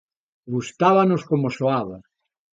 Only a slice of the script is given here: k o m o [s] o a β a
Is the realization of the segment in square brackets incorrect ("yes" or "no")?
no